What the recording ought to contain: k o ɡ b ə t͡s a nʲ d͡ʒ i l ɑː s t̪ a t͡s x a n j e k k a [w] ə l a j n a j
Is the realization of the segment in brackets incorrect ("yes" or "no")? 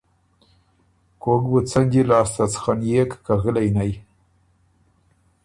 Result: yes